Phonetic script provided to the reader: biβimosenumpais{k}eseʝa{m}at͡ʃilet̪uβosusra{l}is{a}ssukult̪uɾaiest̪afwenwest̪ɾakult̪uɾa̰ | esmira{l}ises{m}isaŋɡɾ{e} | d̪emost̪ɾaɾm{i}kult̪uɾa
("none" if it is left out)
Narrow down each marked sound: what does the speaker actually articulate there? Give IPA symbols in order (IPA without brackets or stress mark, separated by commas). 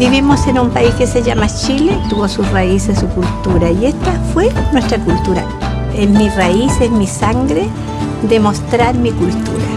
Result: k, m, none, e, none, m, e, i